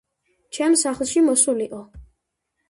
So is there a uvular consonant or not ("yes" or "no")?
yes